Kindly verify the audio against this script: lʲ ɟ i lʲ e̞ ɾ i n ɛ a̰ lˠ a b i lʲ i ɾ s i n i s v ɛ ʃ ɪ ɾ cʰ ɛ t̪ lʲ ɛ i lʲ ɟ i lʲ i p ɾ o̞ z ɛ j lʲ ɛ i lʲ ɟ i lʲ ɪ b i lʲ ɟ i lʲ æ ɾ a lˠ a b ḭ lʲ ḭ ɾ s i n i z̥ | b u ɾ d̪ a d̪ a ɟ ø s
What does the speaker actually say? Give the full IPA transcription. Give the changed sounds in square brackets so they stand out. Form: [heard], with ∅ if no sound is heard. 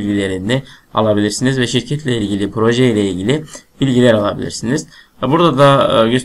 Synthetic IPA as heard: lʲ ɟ i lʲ e̞ ɾ i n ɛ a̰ lˠ a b i lʲ i ɾ s i n i [z] v ɛ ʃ [i] ɾ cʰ ɛ t̪ lʲ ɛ i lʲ ɟ i lʲ i p ɾ o̞ [ʒ] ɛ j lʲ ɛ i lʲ ɟ i lʲ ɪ b i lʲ ɟ i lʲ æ ɾ a lˠ a b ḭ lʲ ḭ ɾ s i n i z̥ | b u ɾ d̪ a d̪ a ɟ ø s